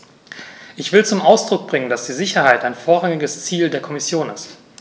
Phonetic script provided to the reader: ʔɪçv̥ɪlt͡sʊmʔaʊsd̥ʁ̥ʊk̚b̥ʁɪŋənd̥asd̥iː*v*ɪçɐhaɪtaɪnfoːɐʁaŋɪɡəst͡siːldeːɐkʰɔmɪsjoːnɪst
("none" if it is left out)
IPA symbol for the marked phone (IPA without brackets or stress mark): z